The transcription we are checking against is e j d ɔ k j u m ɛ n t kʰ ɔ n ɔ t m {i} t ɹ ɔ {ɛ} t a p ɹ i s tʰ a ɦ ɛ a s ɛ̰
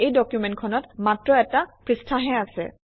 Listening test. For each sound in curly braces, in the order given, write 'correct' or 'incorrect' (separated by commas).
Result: incorrect, correct